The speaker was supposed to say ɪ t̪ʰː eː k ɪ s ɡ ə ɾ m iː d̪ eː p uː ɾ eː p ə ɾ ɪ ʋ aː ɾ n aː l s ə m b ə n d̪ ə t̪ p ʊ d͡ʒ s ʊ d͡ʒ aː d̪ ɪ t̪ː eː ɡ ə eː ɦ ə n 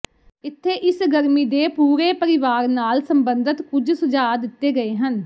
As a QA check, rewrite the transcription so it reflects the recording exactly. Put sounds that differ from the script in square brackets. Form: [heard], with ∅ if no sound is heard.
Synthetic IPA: ɪ t̪ʰː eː [ʔ] ɪ s ɡ ə ɾ m iː d̪ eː p uː ɾ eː p ə ɾ ɪ ʋ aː ɾ n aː l s ə m b ə n d̪ ə t̪ [k] ʊ d͡ʒ s ʊ d͡ʒ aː d̪ ɪ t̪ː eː ɡ ə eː ɦ ə n